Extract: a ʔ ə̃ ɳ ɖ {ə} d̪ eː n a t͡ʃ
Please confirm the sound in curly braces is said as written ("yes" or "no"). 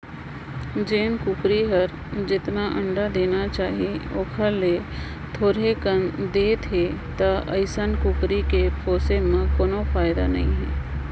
no